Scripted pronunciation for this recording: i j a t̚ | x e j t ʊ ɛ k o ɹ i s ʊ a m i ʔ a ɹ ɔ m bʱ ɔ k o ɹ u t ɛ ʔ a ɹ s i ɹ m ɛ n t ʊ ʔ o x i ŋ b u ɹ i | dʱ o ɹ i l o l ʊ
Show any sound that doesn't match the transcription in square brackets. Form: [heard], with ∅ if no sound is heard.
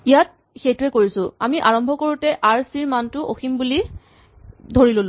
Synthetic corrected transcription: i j a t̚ | x e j t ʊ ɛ k o ɹ i s ʊ a m i ʔ a ɹ ɔ m bʱ ɔ k o ɹ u t ɛ ʔ a ɹ s i ɹ m [a] n t ʊ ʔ o x i [m] b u [l] i | dʱ o ɹ i l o l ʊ